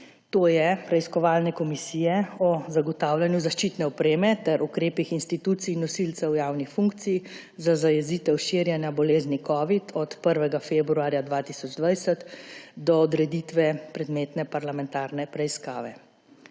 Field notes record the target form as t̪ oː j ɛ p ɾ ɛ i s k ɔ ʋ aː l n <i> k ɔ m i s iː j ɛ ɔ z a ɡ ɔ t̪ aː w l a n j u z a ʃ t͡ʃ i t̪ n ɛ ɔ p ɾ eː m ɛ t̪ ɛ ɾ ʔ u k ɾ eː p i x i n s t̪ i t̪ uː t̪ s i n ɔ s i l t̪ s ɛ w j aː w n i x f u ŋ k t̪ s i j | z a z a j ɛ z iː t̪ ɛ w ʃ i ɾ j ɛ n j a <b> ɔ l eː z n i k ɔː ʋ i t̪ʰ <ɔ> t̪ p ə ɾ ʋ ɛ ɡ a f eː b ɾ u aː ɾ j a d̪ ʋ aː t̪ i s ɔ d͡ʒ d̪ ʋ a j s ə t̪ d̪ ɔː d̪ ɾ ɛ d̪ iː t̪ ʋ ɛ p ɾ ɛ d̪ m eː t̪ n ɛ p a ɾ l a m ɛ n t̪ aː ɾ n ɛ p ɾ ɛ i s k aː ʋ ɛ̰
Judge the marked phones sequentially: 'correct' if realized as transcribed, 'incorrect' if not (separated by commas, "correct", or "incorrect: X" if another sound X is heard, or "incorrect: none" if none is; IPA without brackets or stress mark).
incorrect: ɛ, correct, correct